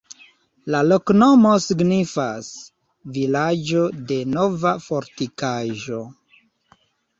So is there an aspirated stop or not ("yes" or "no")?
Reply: no